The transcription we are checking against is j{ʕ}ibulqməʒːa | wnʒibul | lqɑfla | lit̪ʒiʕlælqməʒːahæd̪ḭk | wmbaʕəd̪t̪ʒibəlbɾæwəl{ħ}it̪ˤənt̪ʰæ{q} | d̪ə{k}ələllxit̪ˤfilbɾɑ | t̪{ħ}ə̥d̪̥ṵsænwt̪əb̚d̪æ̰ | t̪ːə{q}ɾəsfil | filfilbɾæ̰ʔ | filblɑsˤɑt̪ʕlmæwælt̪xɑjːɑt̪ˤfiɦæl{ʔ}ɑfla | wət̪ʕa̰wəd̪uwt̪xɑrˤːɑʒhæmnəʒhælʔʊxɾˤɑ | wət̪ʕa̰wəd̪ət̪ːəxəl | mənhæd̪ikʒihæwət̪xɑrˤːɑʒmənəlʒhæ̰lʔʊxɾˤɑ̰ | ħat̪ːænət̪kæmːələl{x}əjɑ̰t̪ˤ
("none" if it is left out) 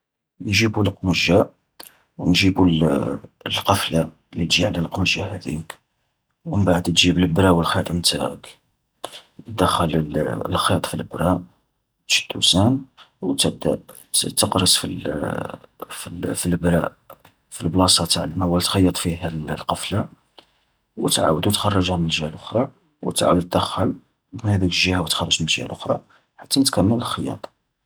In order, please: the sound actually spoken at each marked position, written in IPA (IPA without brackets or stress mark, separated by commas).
ʒ, x, k, x, ʃ, q, q, x